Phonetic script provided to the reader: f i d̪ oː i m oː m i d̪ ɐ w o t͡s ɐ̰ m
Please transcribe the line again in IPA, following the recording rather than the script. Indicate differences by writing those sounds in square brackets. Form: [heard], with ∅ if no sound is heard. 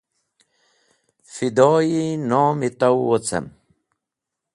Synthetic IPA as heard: f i d̪ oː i [n] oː m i [t̪] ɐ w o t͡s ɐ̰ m